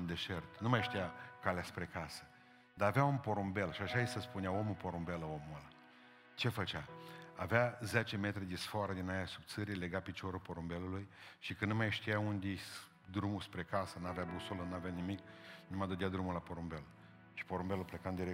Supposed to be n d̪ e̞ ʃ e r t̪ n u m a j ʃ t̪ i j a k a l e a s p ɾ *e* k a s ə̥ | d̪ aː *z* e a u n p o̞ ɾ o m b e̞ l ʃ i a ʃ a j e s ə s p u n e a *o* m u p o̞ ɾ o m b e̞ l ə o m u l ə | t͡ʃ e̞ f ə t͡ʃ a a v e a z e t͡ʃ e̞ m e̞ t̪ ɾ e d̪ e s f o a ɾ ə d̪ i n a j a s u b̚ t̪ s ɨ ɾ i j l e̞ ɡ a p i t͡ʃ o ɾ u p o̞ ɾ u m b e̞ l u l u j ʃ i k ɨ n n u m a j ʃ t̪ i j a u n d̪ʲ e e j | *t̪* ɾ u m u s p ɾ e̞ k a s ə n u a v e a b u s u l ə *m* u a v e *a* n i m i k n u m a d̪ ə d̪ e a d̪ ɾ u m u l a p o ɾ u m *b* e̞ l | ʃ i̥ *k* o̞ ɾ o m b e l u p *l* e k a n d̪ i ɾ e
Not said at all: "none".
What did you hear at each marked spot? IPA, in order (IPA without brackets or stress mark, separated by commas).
e, v, o, d̪, n, a, b, p, l